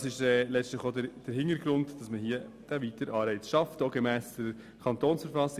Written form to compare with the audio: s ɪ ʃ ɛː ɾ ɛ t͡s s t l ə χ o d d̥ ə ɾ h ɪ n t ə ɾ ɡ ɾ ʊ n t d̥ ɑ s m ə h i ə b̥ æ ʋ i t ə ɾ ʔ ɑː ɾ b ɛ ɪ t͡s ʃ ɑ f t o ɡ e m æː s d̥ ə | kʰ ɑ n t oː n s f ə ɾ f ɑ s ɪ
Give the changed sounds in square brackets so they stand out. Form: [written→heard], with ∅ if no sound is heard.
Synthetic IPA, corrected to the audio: s ɪ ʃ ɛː [ɾ→l] ɛ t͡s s t l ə χ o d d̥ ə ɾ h ɪ n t ə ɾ ɡ ɾ ʊ n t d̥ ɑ s m ə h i ə [b̥→d̥] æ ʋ i t ə ɾ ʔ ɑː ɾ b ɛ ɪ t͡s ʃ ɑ f t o ɡ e m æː s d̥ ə | kʰ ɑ n t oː n s f ə ɾ f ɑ s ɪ